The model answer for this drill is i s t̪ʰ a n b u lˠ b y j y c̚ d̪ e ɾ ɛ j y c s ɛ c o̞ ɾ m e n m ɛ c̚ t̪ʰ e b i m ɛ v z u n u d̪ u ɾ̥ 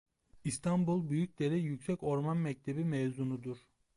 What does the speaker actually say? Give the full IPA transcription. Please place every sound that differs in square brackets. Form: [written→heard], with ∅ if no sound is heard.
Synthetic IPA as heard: i s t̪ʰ a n b u lˠ b y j y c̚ d̪ e ɾ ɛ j y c s ɛ c o̞ ɾ m [e→a] n m ɛ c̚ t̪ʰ e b i m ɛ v z u n u d̪ u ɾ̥